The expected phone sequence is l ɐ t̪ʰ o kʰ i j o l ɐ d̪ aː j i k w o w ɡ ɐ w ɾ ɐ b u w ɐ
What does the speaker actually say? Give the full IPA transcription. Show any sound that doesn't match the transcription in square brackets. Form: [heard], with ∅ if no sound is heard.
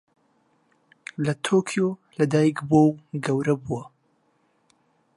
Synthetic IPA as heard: l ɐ t̪ʰ o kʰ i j o l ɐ d̪ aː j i k [b] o w ɡ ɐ w ɾ ɐ b u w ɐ